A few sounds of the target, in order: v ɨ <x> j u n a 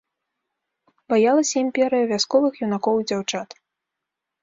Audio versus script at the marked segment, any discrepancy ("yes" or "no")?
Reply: no